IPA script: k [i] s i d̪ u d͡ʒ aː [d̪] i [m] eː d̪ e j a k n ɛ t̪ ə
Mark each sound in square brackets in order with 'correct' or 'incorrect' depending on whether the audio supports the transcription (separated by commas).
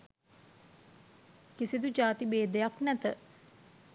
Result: correct, incorrect, incorrect